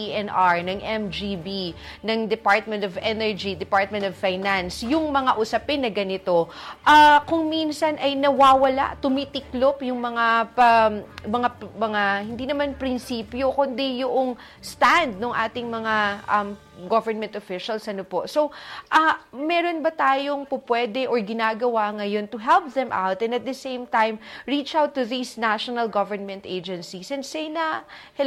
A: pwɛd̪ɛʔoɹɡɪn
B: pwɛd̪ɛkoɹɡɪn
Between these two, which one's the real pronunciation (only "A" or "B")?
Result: A